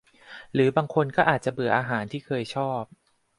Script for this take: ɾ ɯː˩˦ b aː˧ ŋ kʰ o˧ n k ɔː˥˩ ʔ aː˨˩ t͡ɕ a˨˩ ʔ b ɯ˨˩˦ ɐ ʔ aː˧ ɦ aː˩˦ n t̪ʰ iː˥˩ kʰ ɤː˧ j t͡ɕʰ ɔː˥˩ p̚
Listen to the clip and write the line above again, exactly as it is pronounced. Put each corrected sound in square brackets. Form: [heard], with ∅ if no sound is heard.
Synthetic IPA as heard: ɾ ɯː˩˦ b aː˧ ŋ kʰ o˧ n k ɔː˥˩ ʔ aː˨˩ t͡ɕ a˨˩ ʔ b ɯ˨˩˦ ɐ ʔ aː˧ ɦ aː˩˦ n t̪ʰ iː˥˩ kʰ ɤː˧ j t͡ɕʰ ɔː˥˩ p̚